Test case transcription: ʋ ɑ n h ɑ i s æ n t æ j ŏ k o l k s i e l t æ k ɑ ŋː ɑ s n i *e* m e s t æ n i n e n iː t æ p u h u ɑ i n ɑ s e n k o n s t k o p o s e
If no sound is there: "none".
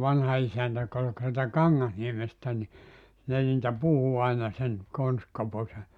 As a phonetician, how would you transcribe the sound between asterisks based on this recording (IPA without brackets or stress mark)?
e